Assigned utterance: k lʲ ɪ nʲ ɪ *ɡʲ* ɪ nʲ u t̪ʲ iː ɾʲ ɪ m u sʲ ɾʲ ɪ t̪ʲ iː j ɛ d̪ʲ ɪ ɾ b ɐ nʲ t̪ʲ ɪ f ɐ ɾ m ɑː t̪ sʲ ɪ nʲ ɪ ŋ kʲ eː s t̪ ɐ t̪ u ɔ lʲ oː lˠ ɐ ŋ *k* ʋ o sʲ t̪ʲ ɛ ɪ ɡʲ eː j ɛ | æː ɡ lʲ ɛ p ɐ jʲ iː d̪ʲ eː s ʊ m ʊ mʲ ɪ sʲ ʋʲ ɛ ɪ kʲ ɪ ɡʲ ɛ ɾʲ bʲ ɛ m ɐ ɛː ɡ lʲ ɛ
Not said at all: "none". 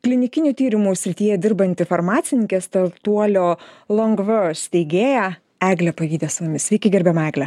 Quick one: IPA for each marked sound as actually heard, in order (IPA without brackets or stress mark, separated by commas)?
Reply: kʲ, ɡ